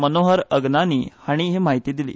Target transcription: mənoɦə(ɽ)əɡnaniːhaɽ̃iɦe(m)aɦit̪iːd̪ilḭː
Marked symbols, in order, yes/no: no, yes

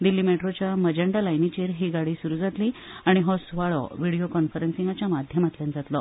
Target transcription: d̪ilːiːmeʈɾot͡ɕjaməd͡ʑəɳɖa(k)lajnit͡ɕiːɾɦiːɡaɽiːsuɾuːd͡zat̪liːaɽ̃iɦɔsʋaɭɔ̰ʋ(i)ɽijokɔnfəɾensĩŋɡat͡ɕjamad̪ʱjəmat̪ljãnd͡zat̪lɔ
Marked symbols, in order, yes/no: no, yes

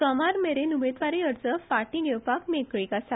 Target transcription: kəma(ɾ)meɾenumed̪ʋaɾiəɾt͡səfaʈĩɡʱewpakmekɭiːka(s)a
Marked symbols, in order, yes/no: yes, yes

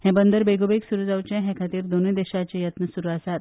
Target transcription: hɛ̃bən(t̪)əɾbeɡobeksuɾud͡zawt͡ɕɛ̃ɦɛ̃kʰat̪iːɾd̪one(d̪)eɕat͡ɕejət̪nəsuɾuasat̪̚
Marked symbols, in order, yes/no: no, yes

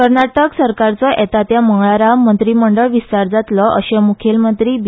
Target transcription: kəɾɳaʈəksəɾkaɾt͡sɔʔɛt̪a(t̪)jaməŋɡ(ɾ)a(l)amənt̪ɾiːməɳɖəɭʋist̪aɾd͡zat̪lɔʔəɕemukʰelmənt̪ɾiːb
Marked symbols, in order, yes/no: yes, no, no

